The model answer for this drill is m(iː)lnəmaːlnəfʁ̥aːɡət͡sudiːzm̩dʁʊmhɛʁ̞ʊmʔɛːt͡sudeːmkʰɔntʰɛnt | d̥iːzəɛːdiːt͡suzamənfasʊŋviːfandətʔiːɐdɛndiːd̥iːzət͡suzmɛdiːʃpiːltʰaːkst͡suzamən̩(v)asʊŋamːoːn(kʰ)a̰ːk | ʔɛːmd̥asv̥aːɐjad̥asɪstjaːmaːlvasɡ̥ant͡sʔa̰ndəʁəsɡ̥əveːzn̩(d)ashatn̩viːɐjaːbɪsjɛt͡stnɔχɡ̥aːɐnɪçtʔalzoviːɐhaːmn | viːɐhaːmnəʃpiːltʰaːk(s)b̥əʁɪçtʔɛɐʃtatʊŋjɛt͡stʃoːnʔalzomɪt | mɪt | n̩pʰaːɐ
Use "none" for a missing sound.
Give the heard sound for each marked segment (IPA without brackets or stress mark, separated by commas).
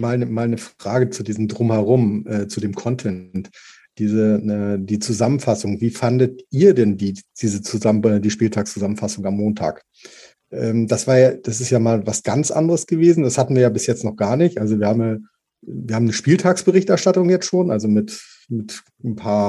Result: aː, f, tʰ, d, s